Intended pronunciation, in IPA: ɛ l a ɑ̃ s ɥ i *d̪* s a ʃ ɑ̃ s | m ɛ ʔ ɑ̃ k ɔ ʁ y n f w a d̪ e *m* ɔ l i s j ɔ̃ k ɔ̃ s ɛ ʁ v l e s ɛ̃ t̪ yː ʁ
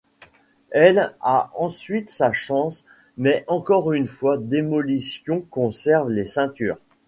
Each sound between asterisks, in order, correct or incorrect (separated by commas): incorrect, correct